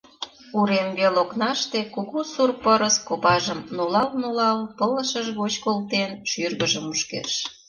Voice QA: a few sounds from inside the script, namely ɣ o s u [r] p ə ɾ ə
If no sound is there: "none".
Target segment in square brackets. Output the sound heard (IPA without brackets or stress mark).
r